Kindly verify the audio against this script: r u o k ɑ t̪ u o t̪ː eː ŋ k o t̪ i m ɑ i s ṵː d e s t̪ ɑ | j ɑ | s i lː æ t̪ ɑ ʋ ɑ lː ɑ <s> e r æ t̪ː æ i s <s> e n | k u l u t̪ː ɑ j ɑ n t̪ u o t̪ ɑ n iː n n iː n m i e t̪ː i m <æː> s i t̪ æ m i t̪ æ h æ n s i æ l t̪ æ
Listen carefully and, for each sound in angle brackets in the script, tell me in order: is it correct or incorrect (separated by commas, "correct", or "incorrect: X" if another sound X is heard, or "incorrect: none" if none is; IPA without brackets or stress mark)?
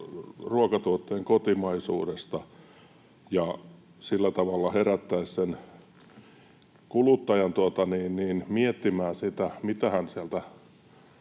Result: incorrect: h, correct, correct